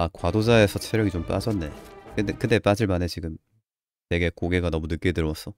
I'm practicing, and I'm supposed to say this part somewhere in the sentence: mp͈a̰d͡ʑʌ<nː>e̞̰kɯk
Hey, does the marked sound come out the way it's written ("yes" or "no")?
yes